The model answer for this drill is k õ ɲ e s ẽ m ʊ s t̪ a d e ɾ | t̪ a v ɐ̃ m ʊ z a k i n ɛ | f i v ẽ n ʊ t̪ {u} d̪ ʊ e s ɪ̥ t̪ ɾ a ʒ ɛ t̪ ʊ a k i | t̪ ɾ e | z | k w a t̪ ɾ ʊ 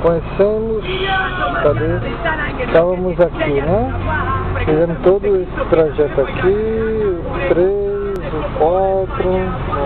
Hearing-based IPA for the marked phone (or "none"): o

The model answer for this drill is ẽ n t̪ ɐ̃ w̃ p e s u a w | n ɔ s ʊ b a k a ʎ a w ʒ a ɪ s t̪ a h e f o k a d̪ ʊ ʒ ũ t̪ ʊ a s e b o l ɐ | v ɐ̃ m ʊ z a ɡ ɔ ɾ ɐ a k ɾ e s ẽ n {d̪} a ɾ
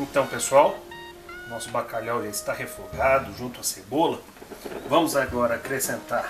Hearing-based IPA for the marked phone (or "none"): t̪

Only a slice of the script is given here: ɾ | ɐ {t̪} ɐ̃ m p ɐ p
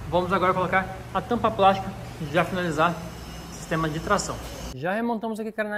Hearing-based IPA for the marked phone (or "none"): t̪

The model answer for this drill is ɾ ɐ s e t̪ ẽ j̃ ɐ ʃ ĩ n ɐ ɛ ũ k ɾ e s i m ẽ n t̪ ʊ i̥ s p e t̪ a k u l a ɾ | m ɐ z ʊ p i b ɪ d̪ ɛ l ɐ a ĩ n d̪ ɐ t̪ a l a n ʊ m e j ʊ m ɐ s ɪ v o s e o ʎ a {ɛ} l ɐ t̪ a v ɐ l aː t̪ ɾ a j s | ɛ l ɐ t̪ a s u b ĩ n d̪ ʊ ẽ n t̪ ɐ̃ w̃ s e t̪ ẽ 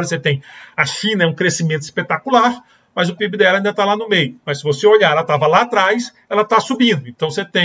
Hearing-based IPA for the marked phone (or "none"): ɛ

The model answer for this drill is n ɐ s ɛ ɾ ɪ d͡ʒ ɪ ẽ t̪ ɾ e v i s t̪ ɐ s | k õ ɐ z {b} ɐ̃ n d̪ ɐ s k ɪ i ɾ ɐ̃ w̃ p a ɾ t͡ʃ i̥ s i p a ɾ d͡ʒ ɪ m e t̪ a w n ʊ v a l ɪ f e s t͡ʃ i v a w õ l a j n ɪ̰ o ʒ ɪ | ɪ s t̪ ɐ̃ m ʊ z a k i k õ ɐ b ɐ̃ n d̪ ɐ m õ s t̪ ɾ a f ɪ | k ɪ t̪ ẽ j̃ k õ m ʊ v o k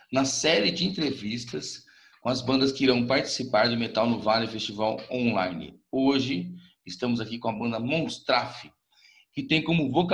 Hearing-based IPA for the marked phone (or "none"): b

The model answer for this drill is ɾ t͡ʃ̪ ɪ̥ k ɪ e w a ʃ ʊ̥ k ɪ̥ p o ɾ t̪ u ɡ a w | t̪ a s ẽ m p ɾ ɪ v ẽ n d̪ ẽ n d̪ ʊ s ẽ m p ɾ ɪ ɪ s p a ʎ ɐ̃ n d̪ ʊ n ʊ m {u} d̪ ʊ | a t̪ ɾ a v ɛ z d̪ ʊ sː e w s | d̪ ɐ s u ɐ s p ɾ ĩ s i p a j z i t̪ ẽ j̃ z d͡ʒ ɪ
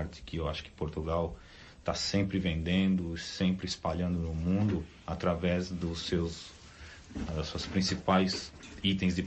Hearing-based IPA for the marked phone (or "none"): ũ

